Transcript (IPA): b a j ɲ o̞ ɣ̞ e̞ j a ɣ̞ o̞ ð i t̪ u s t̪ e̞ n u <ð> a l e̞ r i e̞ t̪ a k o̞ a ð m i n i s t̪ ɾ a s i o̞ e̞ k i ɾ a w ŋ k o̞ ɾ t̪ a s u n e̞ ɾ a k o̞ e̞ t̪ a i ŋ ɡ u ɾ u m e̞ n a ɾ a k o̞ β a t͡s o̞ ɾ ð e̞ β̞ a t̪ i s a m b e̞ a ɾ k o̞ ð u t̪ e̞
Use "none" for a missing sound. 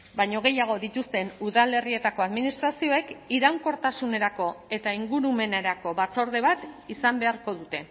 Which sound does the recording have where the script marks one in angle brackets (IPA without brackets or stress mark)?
ð